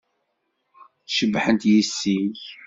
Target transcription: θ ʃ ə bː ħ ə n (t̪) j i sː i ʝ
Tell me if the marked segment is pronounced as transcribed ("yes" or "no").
yes